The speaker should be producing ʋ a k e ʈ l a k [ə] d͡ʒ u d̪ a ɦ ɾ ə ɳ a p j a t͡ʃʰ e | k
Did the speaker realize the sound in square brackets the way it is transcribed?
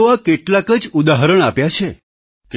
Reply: yes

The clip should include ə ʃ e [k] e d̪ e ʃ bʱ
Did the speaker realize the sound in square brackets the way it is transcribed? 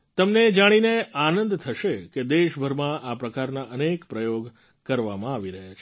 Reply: yes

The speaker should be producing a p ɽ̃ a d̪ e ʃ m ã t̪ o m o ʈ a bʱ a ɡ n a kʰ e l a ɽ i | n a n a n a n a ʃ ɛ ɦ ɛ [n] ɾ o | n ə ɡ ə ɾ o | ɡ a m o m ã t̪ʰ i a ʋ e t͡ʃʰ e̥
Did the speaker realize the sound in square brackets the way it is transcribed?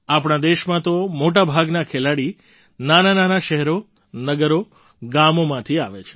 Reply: no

